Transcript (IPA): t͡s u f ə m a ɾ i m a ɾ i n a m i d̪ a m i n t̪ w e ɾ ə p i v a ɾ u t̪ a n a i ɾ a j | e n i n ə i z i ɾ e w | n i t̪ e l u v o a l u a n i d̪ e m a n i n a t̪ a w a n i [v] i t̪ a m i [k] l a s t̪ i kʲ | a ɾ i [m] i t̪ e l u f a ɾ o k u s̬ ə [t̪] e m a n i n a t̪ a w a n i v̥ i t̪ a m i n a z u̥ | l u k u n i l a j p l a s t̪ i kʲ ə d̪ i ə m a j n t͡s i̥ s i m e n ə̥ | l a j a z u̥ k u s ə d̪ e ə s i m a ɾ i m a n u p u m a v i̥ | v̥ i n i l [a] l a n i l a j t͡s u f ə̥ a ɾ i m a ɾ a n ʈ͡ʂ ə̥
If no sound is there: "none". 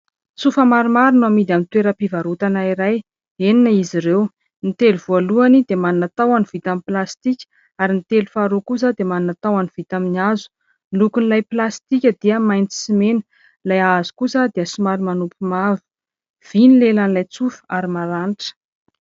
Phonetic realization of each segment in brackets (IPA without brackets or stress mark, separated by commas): v, p, n, d̪, e